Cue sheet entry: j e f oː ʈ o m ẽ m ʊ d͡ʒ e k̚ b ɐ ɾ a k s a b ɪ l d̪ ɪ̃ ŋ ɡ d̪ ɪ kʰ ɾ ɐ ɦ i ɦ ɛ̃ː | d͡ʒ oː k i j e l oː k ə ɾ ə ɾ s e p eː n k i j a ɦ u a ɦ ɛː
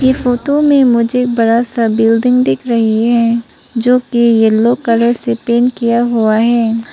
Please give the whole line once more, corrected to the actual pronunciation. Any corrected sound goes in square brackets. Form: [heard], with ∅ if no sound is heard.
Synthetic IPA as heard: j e f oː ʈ o m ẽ m ʊ d͡ʒ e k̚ b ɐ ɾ a [∅] s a b ɪ l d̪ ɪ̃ ŋ ɡ d̪ ɪ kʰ ɾ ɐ ɦ i ɦ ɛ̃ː | d͡ʒ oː k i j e l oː k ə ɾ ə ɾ s e p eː n k i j a ɦ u a ɦ ɛː